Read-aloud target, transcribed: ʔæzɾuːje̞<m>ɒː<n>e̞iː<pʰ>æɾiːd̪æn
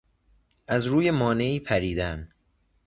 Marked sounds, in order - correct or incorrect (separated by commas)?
correct, correct, correct